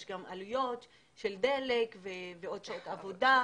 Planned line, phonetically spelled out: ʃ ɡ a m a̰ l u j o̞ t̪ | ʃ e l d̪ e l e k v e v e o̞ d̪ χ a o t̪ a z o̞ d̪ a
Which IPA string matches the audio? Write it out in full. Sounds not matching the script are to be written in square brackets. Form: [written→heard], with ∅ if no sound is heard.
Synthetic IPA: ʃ ɡ a m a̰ l u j o̞ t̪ | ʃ e l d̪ e l e k v e v e o̞ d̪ [χ→ʃ] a o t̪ a [z→v] o̞ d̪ a